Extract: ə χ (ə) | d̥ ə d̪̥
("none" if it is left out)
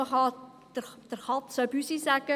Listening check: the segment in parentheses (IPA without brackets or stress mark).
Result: ɑ